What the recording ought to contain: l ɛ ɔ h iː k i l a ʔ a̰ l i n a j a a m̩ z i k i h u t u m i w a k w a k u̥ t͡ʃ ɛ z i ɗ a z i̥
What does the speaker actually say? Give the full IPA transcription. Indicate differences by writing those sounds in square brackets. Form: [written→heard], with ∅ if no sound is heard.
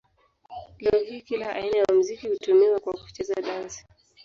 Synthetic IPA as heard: l ɛ ɔ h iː k i l a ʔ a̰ [l→∅] i n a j a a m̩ z i k i h u t u m i w a k w a k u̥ t͡ʃ ɛ z [i→a] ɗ a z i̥